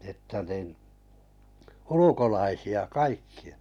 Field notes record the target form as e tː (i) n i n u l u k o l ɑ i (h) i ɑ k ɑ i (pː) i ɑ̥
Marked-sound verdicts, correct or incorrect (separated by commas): incorrect, incorrect, incorrect